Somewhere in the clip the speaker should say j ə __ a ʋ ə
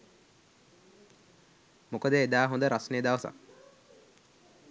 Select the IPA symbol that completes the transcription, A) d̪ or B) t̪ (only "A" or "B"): A